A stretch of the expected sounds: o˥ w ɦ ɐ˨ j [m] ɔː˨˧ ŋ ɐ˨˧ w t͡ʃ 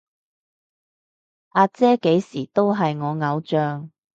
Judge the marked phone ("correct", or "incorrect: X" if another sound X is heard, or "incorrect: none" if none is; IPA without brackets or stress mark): incorrect: ŋ